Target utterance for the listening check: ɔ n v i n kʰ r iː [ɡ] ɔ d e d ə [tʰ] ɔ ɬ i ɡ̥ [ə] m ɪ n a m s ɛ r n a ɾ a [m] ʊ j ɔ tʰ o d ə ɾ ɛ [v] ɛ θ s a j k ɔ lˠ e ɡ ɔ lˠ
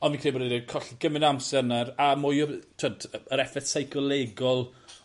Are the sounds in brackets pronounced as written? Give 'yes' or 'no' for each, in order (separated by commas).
no, no, yes, yes, no